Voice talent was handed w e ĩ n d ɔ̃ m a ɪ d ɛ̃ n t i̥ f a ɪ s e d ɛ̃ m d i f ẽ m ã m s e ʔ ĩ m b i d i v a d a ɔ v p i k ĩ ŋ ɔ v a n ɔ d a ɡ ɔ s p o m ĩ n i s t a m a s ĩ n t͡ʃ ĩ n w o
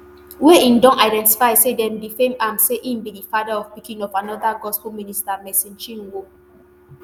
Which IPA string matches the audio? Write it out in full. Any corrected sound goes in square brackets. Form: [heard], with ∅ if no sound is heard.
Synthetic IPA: w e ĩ n d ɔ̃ [n] a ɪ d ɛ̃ n t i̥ f a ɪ s e d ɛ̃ m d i f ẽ m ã m s e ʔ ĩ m b i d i [f] a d a ɔ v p i k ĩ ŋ ɔ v a n ɔ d a ɡ ɔ s p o m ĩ n i s t a m [ɛ] s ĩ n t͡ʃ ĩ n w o